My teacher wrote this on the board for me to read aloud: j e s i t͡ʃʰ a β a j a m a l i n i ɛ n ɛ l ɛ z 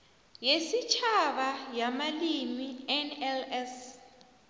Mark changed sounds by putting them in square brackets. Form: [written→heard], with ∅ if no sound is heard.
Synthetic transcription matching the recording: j e s i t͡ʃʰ a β a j a m a l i [n→m] i ɛ n ɛ l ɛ [z→s]